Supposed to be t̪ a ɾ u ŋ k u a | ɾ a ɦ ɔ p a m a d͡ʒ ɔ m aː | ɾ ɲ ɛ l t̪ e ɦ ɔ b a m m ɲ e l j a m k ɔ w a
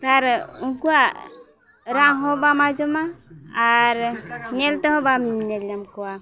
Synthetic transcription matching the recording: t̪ a ɾ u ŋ k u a | ɾ a ɦ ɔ b a m a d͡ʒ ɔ m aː | ɾ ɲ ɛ l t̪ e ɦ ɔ b a m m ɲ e l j a m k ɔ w a

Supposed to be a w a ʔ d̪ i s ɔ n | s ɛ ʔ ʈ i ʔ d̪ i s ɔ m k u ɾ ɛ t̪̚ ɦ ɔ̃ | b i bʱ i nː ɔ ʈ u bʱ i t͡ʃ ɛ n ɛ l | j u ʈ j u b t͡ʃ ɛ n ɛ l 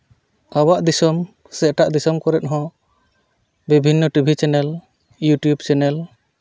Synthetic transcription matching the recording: a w a ʔ d̪ i s ɔ m | s ɛ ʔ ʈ a ʔ d̪ i s ɔ m k ɔ ɾ ɛ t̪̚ ɦ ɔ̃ | b i bʱ i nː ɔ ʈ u bʱ i t͡ʃ ɛ n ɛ l | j u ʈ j u b t͡ʃ ɛ n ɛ l

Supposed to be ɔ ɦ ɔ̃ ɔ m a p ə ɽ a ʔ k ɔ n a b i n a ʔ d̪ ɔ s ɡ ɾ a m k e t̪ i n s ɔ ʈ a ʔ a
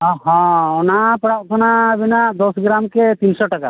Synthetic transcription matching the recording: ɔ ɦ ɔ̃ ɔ n a p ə ɽ a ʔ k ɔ n a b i n a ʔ d̪ ɔ s ɡ ɾ a m k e t̪ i n s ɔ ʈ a k a

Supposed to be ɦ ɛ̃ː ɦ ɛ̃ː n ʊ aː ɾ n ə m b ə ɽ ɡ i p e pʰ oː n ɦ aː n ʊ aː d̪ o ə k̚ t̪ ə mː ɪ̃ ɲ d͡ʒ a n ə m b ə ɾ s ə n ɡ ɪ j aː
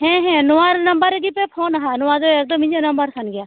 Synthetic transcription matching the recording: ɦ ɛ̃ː ɦ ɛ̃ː n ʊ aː ɾ n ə m b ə ɾ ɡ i p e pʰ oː n ɦ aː n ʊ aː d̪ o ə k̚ d̪ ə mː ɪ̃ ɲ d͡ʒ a n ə m b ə ɾ s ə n ɡ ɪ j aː

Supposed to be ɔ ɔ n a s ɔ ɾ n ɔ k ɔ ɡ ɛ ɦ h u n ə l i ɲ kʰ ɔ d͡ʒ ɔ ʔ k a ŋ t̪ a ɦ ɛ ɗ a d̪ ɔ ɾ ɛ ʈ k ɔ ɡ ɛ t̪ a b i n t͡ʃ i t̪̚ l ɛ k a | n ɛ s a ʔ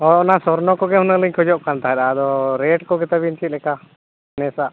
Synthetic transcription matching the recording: ɔ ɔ n a s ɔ ɾ n ɔ k ɔ ɡ ɛ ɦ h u n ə l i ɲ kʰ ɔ d͡ʒ ɔ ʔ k a n t̪ a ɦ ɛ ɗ a d̪ ɔ ɾ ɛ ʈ k ɔ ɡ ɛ t̪ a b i n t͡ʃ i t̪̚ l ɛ k a | n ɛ s a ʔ

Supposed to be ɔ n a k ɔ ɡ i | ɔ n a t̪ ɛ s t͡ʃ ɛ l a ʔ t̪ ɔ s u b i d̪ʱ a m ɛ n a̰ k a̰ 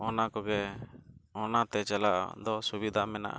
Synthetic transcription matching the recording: ɔ n a k ɔ ɡ ɛ | ɔ n a t̪ ɛ t͡ʃ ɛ l a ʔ d̪ ɔ s u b i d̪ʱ a m ɛ n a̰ ʔ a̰

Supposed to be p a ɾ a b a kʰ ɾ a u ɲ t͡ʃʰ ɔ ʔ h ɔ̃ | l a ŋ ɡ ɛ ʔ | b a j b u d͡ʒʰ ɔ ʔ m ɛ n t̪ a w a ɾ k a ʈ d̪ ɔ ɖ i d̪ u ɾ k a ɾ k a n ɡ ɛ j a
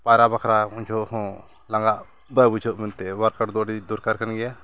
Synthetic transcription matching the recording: p a ɾ a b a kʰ ɾ a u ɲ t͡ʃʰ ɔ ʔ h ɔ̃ | l a ŋ ɡ a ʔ | b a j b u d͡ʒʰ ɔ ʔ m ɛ n t̪ ɛ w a ɾ k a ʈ d̪ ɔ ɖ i d̪ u ɾ k a ɾ k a n ɡ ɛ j a

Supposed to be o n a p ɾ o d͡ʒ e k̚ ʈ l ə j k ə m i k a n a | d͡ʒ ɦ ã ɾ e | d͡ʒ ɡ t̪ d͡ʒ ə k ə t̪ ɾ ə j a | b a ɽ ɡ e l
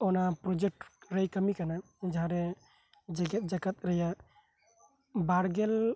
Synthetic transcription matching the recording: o n a p ɾ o d͡ʒ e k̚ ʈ ɾ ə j k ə m i k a n a | d͡ʒ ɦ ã ɾ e | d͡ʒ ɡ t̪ d͡ʒ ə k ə t̪ ɾ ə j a | b a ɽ ɡ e l

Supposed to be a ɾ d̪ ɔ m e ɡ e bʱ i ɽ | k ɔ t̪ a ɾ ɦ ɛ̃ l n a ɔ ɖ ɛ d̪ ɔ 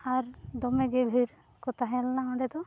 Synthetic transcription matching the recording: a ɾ d̪ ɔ m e ɡ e bʱ i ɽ | k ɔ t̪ a ɦ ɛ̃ l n a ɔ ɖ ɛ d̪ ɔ

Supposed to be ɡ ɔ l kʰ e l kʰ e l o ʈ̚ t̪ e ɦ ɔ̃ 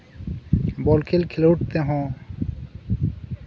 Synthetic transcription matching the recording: b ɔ l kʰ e l kʰ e l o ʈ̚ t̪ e ɦ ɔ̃

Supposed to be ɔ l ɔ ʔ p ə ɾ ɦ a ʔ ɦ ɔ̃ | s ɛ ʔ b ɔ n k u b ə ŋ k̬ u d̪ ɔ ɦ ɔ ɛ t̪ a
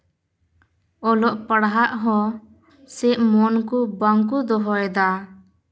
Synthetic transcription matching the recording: ɔ l ɔ ʔ p ə ɽ ɦ a ʔ ɦ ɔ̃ | s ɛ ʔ m ɔ n k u b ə ŋ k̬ u d̪ ɔ ɦ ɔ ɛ d̪ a

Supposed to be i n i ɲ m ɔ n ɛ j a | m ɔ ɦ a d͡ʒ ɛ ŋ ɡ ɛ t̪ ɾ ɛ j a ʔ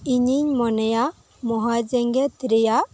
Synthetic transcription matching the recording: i ɲ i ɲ m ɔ n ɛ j a | m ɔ ɦ a d͡ʒ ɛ ŋ ɡ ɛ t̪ ɾ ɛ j a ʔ

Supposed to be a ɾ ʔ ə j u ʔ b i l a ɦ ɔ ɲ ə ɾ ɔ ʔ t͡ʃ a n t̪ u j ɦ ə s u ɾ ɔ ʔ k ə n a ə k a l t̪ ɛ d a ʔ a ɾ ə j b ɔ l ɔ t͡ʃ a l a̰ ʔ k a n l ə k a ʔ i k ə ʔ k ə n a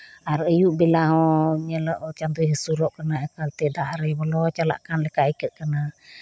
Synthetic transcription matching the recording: a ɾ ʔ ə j u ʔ b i l a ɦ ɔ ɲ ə l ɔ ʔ t͡ʃ a n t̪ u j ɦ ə s u ɾ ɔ ʔ k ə n a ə k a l t̪ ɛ d a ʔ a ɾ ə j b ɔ l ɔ t͡ʃ a l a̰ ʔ k a n l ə k a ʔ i k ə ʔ k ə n a

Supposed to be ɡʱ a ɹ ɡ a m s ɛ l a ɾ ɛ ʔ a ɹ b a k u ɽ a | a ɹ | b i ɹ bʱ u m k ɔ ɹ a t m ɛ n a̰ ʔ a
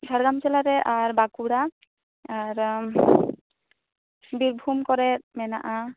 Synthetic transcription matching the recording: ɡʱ a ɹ ɡ a m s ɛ l a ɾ ɛ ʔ a ɹ b a k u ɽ a | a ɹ | b i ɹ bʱ u m k ɔ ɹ ɛ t m ɛ n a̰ ʔ a

